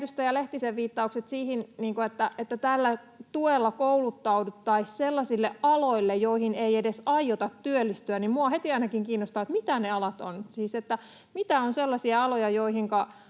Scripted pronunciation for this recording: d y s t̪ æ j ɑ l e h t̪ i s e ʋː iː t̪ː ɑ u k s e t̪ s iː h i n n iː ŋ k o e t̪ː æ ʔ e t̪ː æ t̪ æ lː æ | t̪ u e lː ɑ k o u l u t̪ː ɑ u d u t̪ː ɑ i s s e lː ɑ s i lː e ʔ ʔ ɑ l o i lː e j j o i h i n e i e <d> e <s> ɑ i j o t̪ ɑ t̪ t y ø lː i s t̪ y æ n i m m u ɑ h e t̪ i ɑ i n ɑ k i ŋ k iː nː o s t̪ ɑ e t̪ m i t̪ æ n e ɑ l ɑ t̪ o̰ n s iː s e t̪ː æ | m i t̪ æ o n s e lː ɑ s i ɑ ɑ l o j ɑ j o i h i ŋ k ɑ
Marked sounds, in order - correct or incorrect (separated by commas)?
correct, correct